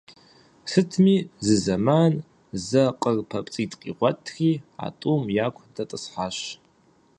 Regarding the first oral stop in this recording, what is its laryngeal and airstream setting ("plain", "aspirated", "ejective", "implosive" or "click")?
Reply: aspirated